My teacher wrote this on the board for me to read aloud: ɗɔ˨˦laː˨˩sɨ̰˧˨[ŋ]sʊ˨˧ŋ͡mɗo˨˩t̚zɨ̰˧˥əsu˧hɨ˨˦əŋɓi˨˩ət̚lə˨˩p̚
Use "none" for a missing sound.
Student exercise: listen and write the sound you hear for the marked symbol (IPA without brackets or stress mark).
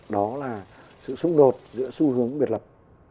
none